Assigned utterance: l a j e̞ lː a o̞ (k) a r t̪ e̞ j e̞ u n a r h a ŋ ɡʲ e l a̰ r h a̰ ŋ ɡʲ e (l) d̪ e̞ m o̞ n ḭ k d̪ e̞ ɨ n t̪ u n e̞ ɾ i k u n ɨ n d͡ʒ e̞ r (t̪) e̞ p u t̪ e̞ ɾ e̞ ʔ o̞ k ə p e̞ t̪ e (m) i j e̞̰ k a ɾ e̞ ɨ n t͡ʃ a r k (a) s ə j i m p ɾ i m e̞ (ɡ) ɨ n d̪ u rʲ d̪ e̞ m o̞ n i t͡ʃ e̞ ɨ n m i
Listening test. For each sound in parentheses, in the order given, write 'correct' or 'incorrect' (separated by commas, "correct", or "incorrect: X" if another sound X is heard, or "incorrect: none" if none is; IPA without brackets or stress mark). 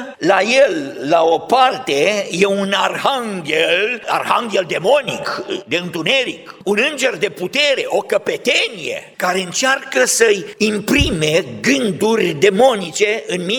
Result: incorrect: p, correct, incorrect: d̪, incorrect: n, incorrect: ə, correct